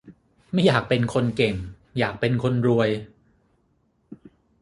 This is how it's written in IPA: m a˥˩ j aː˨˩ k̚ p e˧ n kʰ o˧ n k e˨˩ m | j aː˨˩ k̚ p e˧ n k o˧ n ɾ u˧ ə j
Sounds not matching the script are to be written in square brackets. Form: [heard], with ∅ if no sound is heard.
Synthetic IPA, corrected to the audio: m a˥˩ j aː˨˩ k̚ p e˧ n kʰ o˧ n k e˨˩ [ŋ] | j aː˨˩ k̚ p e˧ n [kʰ] o˧ n ɾ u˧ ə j